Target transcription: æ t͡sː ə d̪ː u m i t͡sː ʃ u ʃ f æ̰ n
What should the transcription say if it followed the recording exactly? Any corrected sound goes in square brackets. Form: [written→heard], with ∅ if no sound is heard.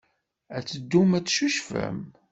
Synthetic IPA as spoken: æ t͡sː ə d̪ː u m [i→æ] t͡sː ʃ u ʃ f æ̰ [n→m]